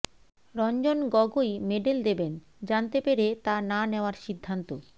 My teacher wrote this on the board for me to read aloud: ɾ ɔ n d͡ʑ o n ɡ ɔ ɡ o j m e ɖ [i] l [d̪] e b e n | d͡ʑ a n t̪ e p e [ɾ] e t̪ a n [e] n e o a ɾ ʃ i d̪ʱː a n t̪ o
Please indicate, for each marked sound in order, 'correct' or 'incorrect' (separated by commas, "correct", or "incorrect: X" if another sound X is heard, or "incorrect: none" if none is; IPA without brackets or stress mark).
incorrect: e, correct, correct, incorrect: a